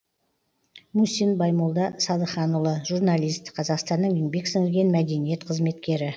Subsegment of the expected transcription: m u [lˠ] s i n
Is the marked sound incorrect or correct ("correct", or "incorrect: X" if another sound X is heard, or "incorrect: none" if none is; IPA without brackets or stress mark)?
incorrect: none